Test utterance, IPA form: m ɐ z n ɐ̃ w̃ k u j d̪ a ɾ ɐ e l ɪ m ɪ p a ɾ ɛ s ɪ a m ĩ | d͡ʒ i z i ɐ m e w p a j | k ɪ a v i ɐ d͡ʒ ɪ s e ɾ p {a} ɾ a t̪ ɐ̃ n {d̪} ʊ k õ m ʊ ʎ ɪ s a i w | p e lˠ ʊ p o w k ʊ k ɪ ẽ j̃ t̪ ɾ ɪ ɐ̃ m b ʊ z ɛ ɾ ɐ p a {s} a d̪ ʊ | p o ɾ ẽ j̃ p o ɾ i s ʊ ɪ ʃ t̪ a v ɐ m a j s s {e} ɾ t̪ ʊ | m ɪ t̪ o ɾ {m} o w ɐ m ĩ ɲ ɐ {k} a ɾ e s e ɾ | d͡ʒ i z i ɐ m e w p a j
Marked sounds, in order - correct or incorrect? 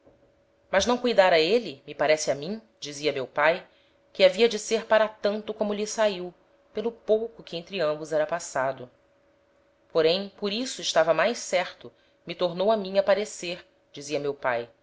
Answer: correct, incorrect: t̪, correct, incorrect: ɛ, incorrect: n, incorrect: p

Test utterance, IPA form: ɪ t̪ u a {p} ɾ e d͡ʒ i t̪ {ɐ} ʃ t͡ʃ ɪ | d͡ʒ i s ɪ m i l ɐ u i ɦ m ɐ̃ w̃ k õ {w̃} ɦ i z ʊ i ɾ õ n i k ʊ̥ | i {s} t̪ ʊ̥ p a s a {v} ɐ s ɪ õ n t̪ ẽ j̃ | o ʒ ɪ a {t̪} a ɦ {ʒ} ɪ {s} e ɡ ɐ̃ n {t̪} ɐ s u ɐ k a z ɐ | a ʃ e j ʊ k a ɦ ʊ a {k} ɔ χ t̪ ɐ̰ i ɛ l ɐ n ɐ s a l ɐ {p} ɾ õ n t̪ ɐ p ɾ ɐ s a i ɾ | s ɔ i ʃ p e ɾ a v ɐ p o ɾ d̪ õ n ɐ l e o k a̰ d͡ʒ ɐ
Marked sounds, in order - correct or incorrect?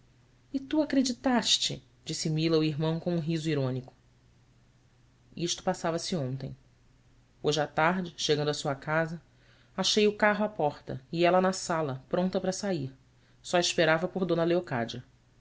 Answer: incorrect: k, incorrect: a, incorrect: ũ, incorrect: ʃ, correct, correct, incorrect: d͡ʒ, incorrect: ʃ, incorrect: d̪, incorrect: p, correct

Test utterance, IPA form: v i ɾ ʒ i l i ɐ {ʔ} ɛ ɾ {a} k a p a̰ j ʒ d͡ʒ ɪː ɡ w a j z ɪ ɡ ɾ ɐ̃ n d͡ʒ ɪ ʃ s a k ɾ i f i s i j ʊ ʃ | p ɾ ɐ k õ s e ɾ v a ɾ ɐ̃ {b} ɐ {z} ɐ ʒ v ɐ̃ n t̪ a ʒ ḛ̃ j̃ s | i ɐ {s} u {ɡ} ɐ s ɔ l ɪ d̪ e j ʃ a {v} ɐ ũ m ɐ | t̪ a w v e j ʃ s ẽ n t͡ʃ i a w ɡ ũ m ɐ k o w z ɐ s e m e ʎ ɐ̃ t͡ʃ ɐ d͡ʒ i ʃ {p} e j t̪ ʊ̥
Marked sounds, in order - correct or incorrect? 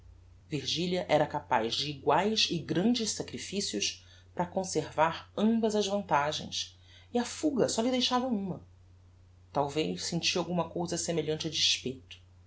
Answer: correct, incorrect: ɐ, correct, correct, incorrect: f, correct, correct, correct

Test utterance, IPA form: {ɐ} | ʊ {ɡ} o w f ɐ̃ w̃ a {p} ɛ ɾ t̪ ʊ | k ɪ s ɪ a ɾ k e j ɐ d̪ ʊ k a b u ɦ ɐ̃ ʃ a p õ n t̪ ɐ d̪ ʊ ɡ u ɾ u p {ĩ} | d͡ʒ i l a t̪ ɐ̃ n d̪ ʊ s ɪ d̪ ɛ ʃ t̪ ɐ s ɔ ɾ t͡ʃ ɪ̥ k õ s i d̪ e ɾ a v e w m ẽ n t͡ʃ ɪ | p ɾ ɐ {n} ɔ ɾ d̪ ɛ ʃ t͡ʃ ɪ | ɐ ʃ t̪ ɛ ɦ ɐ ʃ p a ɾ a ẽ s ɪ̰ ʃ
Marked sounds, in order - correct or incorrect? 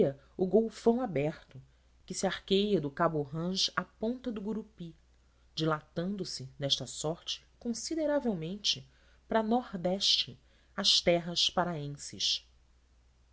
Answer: correct, correct, incorrect: b, incorrect: i, correct

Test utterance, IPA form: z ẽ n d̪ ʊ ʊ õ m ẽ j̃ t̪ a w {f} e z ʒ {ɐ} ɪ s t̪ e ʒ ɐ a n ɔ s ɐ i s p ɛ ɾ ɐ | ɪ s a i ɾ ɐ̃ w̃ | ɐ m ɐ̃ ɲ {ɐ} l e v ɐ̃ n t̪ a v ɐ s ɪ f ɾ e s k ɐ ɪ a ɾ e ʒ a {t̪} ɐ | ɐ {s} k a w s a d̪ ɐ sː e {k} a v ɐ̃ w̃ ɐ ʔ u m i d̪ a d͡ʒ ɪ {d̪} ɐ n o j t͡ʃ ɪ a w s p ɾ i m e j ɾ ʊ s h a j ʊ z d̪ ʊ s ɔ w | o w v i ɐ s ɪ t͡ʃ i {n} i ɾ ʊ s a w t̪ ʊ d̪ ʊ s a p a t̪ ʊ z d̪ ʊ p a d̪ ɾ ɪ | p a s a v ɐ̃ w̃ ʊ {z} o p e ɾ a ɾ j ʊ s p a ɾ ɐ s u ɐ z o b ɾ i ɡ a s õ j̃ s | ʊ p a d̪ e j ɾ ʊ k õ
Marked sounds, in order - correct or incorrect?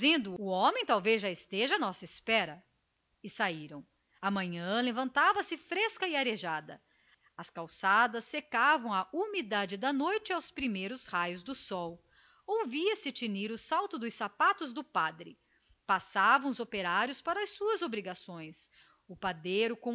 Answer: incorrect: v, incorrect: a, incorrect: ɐ̃, incorrect: d̪, correct, correct, correct, correct, correct

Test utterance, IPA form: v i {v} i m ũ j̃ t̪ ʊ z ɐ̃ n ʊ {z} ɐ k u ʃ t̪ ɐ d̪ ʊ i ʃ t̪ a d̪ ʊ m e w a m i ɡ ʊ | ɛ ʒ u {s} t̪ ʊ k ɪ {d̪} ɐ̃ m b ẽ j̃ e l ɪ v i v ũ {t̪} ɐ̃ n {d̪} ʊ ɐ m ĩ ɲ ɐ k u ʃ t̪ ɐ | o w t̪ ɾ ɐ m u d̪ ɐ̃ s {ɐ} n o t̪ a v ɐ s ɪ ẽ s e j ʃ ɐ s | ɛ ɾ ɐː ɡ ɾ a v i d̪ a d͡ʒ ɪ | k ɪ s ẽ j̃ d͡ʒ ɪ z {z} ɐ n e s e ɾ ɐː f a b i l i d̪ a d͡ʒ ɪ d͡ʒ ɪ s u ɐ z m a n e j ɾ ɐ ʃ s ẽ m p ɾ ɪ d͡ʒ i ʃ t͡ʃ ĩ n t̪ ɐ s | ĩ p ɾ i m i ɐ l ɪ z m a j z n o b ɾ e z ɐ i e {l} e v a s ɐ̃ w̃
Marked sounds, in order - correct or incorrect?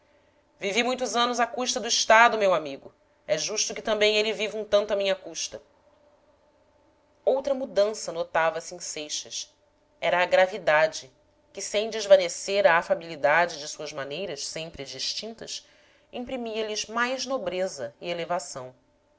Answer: correct, correct, incorrect: ʃ, incorrect: t̪, correct, incorrect: t̪, correct, incorrect: v, correct

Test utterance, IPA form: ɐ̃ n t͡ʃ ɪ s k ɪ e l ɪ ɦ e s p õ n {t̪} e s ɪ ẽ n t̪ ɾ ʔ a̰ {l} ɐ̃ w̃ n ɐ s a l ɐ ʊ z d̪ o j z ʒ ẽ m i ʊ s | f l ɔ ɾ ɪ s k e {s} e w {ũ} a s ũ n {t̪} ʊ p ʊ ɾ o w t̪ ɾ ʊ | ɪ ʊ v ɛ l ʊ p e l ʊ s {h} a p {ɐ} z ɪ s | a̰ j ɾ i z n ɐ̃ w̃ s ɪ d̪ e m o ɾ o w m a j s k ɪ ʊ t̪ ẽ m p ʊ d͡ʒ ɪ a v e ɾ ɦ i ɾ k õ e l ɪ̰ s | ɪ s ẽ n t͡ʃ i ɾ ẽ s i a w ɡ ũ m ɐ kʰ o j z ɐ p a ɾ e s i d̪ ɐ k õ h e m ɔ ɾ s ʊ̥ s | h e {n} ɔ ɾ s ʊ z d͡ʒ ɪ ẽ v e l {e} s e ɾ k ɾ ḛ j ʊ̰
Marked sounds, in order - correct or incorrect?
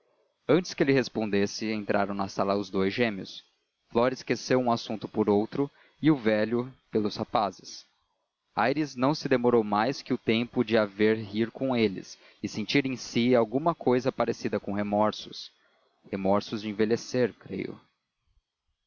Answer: incorrect: d̪, incorrect: ɾ, correct, correct, correct, correct, incorrect: a, incorrect: m, correct

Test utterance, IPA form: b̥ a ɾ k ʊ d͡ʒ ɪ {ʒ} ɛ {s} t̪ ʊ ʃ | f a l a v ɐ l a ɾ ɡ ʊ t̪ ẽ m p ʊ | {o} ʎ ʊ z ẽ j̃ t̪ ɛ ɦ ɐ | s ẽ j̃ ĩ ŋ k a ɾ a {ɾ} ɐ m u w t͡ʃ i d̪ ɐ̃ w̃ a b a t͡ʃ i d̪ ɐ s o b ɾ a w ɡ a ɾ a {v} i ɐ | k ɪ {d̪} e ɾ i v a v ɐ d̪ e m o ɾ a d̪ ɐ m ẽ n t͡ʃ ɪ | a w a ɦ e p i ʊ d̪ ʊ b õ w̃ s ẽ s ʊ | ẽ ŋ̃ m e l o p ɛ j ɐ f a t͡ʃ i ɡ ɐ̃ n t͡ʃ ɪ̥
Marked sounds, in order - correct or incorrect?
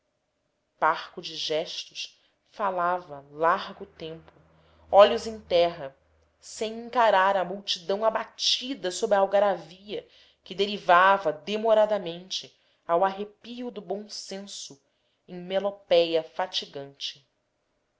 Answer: correct, incorrect: ʃ, incorrect: ɔ, correct, correct, correct

